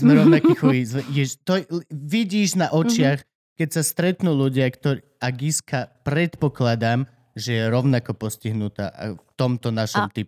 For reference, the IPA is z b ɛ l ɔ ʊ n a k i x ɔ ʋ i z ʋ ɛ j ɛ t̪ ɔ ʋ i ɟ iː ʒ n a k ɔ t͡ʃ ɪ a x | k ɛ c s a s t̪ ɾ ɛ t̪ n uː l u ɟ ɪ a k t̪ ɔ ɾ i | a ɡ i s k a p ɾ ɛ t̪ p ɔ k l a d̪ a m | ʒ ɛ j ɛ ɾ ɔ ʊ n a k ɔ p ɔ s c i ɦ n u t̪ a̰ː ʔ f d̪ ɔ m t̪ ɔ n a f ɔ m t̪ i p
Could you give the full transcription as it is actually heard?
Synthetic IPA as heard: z m ɛ ɾ ɔ ʊ n a k i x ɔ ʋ i z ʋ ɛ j ɛ t̪ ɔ ʋ i ɟ iː ʒ n a ʔ ɔ t͡ʃ ɪ a x | k ɛ c s a s t̪ ɾ ɛ t̪ n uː l u ɟ ɪ a k t̪ ɔ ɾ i | a ɡ i s k a p ɾ ɛ t̪ p ɔ k l a d̪ a m | ʒ ɛ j ɛ ɾ ɔ ʊ n a k ɔ p ɔ s c i ɦ n u t̪ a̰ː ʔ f t̪ ɔ m t̪ ɔ n a ʃ ɔ m t̪ i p